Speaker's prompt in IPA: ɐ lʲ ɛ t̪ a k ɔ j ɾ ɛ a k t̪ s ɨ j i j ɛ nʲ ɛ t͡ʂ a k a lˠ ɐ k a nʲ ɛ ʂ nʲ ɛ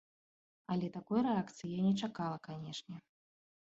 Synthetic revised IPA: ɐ lʲ ɛ t̪ a k ɔ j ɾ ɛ a k t̪ s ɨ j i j a nʲ ɛ t͡ʂ a k a lˠ ɐ k a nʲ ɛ ʂ nʲ ɛ